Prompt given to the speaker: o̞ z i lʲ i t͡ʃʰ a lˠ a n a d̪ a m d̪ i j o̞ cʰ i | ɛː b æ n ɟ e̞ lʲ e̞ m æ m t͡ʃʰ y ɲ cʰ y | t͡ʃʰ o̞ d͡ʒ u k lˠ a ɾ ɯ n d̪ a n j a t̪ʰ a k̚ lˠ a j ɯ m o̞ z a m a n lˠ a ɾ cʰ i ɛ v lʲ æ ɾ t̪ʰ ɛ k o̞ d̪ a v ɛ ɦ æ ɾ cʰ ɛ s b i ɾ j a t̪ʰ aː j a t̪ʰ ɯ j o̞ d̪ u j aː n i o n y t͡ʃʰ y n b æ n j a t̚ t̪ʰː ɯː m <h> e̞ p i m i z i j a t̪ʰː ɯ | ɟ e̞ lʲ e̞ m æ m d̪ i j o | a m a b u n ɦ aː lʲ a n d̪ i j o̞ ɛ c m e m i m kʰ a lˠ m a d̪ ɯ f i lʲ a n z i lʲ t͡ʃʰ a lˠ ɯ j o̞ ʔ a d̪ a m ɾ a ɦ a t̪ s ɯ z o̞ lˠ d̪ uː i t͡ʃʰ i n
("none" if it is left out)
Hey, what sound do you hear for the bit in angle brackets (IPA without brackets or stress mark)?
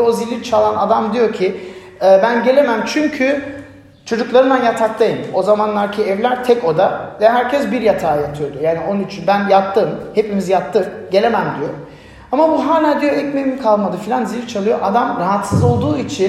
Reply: h